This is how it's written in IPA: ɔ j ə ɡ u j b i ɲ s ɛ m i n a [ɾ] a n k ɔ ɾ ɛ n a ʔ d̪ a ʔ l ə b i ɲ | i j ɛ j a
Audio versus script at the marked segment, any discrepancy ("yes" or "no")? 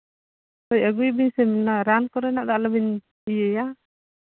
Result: no